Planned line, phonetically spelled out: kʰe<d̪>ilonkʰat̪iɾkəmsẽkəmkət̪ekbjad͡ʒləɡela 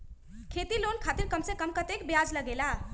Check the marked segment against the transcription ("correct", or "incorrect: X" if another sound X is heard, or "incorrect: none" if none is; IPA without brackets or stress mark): incorrect: t̪